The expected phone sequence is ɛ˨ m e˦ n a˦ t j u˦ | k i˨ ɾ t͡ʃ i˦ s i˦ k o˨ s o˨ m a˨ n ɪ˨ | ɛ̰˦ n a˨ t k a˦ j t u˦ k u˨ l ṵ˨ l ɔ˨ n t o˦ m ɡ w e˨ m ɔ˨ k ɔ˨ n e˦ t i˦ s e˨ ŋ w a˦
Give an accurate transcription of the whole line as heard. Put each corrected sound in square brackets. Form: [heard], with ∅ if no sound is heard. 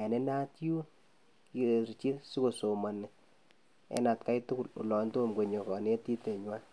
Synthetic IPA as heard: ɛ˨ [n] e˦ n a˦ t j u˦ | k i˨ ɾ t͡ʃ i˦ s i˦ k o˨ s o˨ m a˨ n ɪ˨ | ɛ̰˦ n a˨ t k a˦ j t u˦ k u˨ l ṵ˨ l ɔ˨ n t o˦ m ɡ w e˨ [ɲ] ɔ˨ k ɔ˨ n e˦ t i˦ [t] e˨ [ɲ] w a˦